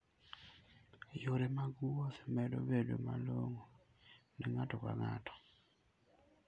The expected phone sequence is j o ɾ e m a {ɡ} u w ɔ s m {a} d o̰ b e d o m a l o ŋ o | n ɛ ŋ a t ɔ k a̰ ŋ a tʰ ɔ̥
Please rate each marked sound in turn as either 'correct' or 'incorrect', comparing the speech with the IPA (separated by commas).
correct, incorrect